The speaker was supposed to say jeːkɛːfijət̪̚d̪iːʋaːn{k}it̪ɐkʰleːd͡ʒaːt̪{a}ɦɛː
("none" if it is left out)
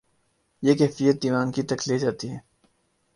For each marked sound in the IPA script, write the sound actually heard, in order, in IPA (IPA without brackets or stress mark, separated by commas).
k, i